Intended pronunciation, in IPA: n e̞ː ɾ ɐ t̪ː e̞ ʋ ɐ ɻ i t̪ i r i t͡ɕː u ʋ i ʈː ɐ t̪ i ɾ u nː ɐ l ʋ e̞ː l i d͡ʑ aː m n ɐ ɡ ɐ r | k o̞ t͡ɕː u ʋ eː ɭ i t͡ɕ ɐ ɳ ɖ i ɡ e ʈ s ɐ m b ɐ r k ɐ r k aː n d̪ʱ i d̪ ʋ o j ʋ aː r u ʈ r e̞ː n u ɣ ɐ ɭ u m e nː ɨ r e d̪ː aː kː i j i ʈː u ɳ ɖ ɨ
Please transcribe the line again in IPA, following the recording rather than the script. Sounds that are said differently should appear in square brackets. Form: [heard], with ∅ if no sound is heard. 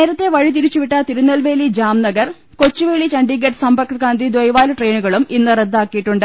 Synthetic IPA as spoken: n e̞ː ɾ ɐ t̪ː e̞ ʋ ɐ ɻ i t̪ i [ɾ] i t͡ɕː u ʋ i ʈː ɐ t̪ i ɾ u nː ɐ l ʋ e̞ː l i d͡ʑ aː m n ɐ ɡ ɐ r | k o̞ t͡ɕː u ʋ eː ɭ i t͡ɕ ɐ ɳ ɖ i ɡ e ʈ s ɐ m b ɐ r k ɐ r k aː n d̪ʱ i d̪ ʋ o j ʋ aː [l] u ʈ r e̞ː n u ɣ ɐ ɭ u m [i] nː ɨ r e d̪ː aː kː i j i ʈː u ɳ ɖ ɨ